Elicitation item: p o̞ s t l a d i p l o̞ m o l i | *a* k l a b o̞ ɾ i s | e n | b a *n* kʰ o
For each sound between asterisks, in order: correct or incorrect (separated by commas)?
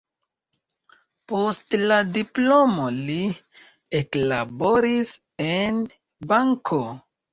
incorrect, incorrect